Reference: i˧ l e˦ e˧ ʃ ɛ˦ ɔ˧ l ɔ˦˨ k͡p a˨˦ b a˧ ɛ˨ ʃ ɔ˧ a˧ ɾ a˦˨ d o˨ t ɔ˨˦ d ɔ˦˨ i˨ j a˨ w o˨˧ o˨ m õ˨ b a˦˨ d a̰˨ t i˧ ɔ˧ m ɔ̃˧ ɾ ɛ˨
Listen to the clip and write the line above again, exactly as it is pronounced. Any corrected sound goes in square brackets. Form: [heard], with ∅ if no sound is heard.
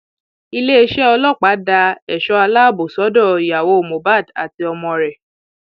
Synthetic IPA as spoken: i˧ l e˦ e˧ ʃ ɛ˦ ɔ˧ l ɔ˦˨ k͡p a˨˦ [d] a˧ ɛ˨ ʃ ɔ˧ a˧ [l] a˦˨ [b] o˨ [s] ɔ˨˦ d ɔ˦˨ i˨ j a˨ w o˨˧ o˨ m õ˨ b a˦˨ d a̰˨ t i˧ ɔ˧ m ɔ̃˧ ɾ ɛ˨